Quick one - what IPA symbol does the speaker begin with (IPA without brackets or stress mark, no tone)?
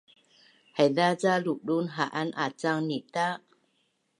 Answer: h